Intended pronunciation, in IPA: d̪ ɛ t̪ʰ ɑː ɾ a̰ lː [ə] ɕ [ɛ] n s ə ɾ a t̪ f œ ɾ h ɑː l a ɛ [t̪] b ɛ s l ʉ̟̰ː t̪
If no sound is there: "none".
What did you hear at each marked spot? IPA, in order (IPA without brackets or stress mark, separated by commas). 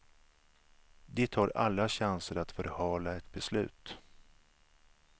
a, a, t̪